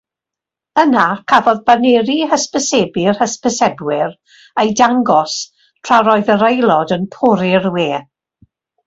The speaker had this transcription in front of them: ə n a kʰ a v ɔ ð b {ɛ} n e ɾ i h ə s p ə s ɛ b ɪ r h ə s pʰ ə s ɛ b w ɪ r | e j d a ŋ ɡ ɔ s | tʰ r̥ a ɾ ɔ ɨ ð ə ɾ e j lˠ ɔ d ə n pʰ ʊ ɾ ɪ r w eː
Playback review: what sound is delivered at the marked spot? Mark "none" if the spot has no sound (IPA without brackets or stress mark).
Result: a